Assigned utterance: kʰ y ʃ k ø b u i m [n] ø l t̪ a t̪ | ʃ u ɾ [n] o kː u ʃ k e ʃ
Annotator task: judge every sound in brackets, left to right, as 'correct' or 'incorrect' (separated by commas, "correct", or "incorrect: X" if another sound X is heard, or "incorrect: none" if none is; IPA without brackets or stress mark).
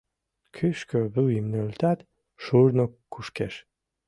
correct, correct